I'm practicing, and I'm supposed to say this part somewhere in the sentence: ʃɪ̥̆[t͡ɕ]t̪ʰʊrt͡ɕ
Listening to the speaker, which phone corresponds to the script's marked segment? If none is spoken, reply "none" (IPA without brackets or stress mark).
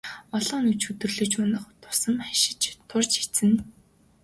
t͡ɕ